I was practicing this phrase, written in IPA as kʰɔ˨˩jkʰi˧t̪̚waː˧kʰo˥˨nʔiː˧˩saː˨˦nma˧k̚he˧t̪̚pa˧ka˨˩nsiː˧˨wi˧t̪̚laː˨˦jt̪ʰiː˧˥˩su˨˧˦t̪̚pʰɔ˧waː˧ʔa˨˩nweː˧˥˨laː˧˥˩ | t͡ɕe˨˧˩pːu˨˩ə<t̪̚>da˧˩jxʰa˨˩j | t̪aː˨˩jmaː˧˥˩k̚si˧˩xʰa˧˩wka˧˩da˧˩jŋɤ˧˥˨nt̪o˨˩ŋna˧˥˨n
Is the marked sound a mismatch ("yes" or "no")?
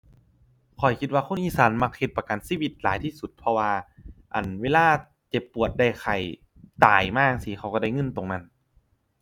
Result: no